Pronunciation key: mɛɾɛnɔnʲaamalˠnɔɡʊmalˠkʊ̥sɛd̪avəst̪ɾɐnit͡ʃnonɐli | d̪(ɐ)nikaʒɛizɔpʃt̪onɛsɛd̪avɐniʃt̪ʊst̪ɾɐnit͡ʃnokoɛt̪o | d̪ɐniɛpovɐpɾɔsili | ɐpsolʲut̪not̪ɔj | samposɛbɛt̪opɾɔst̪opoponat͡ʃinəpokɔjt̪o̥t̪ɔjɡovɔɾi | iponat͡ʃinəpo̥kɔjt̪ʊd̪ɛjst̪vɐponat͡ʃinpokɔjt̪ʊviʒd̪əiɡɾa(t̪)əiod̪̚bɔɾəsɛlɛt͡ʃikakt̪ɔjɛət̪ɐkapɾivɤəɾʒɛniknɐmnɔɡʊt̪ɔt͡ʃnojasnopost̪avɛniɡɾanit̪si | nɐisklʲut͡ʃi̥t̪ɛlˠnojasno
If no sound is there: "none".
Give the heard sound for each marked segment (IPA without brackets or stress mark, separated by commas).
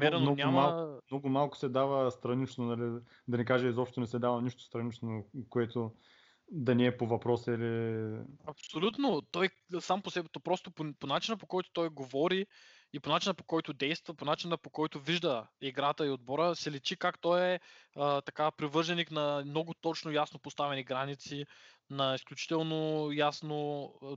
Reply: ɐ, t̪